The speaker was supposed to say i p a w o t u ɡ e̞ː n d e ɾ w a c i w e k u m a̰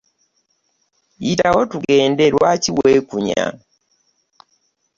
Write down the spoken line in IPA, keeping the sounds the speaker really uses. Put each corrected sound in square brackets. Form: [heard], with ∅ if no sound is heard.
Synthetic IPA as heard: i [t] a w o t u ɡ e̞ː n d e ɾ w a c i w e k u [ɲ] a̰